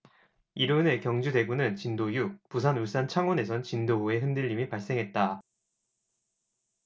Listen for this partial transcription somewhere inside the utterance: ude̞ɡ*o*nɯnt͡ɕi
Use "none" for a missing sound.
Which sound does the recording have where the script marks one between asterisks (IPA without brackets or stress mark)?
u